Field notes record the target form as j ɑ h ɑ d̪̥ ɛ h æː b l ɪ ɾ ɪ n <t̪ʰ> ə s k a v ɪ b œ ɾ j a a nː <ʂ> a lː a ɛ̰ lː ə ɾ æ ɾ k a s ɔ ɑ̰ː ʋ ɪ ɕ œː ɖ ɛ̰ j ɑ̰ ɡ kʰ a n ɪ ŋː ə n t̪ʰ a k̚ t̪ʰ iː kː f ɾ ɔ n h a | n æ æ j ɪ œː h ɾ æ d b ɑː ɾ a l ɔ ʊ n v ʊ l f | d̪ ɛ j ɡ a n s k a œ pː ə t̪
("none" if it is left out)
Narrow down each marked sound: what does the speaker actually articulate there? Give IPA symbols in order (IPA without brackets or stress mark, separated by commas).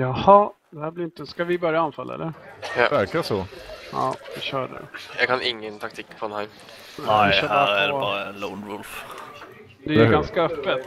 t̪, f